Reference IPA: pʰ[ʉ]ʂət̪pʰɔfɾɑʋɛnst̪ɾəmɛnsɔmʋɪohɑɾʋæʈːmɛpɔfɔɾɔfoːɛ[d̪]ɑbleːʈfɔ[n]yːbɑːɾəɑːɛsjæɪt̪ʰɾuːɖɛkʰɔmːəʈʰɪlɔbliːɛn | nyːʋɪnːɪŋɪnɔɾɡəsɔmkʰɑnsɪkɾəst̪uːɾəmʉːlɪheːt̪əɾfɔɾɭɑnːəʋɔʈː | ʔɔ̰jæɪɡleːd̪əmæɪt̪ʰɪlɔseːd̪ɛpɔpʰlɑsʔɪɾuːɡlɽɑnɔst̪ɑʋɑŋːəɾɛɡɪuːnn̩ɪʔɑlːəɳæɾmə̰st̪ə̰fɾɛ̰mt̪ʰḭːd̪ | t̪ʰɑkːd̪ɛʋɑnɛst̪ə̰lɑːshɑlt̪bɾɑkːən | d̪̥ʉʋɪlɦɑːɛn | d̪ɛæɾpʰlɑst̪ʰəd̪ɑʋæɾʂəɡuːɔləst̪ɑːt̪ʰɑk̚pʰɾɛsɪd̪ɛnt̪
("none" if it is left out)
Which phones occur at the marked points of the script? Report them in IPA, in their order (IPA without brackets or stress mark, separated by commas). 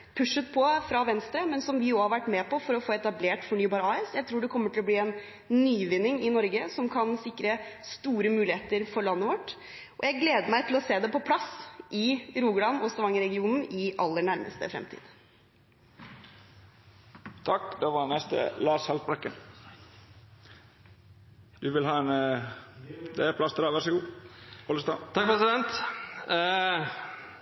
ʉ, t̪, ɳ